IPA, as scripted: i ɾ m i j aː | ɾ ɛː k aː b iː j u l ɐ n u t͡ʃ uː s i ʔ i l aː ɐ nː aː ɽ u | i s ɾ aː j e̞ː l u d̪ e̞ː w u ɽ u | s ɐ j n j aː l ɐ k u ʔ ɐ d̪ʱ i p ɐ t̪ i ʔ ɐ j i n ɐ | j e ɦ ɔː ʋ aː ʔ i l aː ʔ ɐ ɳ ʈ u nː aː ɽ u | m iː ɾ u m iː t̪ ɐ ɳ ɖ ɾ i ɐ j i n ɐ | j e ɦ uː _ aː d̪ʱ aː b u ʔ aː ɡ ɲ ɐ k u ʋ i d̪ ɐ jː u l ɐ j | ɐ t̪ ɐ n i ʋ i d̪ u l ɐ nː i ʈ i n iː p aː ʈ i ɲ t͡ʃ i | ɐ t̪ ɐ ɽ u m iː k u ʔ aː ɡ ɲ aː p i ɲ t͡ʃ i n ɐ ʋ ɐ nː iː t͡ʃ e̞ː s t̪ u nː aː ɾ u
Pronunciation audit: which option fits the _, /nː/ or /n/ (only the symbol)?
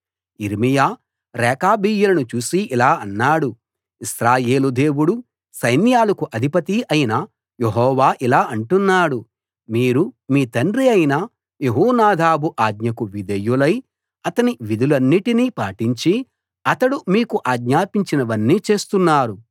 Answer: n